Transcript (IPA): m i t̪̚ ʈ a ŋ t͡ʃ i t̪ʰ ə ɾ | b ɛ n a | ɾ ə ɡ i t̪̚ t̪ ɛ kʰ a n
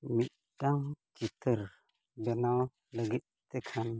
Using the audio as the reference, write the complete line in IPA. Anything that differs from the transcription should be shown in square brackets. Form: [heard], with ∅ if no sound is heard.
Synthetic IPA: m i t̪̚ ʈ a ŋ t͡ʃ i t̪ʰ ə ɾ | b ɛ n a | [l] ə ɡ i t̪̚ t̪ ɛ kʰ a n